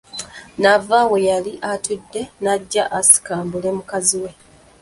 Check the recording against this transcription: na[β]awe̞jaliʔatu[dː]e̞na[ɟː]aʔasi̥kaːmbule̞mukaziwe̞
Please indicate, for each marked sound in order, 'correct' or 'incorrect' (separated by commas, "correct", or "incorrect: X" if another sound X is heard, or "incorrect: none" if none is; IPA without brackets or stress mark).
incorrect: v, correct, correct